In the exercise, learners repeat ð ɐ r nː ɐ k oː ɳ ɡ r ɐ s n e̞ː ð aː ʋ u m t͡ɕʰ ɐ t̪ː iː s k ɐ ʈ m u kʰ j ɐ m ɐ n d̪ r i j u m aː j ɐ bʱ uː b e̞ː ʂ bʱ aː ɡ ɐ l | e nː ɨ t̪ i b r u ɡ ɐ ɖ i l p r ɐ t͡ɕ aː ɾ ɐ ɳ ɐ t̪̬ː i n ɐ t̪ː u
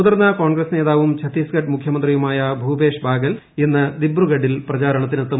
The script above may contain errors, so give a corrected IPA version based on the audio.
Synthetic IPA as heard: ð ɐ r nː ɐ k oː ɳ ɡ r ɐ s n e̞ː ð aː ʋ u m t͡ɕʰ ɐ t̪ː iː s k ɐ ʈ m u kʰ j ɐ m ɐ n d̪ r i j u m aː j ɐ bʱ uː b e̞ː ʂ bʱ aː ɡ ɐ l | e nː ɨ d̪ i b r u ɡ ɐ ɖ i l p r ɐ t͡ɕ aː ɾ ɐ ɳ ɐ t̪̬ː i n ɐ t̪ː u